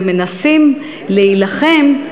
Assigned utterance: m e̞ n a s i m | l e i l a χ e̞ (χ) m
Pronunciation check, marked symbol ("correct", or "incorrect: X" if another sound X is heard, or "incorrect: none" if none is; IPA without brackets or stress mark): incorrect: none